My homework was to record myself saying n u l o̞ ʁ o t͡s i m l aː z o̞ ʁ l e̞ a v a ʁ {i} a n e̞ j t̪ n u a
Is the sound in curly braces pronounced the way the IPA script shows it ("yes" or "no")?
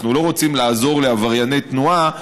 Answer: no